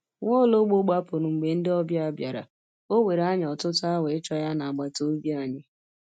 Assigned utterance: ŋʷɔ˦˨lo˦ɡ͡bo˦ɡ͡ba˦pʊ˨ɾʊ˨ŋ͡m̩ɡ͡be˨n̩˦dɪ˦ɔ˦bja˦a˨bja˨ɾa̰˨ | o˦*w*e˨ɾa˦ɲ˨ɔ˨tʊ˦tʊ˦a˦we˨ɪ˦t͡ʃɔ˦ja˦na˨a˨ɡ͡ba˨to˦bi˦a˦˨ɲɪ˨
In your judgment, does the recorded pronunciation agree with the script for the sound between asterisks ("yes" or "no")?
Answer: yes